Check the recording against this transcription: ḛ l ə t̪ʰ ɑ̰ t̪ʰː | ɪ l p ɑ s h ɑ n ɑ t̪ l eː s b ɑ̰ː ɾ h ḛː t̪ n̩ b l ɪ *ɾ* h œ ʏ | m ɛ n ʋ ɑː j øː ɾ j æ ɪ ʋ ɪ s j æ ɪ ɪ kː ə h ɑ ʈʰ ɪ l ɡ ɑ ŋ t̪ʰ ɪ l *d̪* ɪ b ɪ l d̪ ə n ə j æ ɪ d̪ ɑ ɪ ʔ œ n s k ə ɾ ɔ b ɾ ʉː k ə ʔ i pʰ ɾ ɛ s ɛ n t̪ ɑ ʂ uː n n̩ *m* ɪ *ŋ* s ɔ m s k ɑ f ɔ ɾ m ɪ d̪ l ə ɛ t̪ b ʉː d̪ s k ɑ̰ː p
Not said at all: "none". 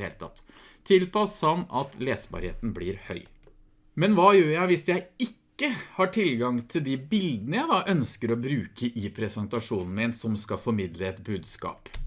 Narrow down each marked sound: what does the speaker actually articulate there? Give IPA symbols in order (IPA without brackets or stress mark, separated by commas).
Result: ɾ, d̪, m, n